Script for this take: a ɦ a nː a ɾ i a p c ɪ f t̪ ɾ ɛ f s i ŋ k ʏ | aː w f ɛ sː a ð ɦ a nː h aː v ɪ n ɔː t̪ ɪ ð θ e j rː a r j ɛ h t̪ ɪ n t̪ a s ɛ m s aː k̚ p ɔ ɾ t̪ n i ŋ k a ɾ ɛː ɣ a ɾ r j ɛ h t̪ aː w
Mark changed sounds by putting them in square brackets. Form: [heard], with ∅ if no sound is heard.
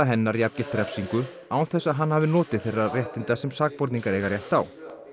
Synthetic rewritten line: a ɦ [ɛ] nː a ɾ i a p c ɪ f t̪ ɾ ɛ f s i ŋ k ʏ | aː w [θ] ɛ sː a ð ɦ a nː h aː v ɪ n ɔː t̪ ɪ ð θ e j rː a r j ɛ h t̪ ɪ n t̪ a s ɛ m s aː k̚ p ɔ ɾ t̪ n i ŋ k a ɾ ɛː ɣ a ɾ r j ɛ h t̪ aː w